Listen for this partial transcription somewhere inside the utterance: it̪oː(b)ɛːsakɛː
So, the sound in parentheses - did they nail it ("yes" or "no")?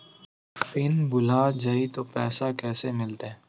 no